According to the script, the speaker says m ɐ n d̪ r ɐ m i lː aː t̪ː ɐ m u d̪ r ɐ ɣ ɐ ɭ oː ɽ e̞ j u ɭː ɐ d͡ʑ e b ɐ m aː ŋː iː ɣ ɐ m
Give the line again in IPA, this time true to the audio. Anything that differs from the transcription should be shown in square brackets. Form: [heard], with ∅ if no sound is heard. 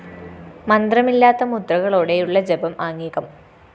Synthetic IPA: m ɐ n d̪ r ɐ m i lː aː t̪ː ɐ m u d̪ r ɐ ɣ ɐ ɭ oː ɽ e̞ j u ɭː ɐ d͡ʑ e b ɐ m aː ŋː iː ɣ ɐ m